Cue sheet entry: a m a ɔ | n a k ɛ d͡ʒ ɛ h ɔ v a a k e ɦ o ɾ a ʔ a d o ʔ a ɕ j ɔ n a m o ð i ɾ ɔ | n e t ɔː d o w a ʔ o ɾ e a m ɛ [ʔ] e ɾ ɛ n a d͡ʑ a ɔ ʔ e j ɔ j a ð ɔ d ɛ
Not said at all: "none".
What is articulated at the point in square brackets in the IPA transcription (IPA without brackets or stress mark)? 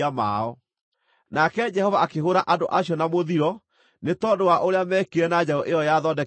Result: k